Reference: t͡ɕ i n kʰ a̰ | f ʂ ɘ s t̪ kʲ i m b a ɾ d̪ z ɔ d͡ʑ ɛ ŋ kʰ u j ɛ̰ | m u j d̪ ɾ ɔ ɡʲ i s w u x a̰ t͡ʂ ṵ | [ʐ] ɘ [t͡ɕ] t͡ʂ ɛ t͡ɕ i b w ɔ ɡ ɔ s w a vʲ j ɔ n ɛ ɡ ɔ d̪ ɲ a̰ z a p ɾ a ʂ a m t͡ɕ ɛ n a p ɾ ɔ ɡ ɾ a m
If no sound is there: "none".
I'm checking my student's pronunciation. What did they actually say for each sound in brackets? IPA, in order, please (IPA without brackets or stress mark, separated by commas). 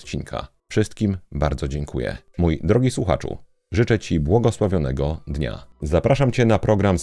ʐ, none